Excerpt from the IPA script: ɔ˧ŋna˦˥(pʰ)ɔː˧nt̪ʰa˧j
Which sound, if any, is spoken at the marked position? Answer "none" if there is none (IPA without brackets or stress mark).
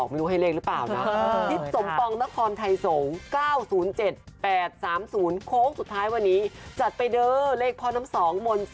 kʰ